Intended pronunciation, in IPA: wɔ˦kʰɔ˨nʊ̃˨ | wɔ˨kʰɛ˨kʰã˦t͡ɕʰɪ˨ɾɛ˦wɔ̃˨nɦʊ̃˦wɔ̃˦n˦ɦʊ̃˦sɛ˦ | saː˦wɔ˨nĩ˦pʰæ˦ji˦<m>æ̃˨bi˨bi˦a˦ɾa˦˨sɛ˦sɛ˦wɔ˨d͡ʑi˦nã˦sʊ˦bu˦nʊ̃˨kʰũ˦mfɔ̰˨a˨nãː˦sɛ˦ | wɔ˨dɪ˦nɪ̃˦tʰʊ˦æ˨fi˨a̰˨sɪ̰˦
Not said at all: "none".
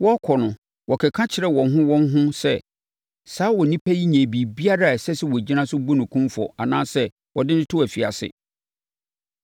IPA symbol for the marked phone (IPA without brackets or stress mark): ɲ